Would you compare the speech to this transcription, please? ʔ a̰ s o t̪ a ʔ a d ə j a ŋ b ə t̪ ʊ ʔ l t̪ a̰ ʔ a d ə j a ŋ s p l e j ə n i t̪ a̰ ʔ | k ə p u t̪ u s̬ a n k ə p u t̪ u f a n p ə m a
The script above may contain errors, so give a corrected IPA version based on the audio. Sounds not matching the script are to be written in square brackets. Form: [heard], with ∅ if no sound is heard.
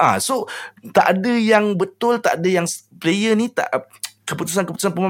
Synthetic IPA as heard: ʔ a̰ s o t̪ a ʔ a d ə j a ŋ b ə t̪ ʊ [∅] l t̪ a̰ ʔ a d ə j a ŋ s p l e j ə n i t̪ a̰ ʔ | k ə p u t̪ u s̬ a n k ə p u t̪ u [s] a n p ə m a